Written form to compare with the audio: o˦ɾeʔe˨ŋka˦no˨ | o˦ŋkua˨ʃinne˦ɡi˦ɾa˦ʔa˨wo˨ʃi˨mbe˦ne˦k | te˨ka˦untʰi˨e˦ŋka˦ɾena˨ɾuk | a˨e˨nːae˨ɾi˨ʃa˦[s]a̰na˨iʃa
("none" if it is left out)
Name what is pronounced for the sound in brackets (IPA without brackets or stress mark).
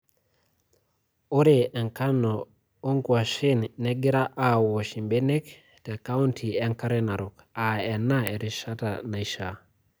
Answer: t